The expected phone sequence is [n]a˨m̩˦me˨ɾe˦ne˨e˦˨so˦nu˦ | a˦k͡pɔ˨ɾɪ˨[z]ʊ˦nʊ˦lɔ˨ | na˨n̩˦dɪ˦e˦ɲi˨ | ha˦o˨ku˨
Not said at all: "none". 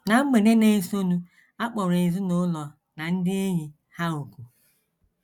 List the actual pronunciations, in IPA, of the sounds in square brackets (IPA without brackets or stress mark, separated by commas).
n, z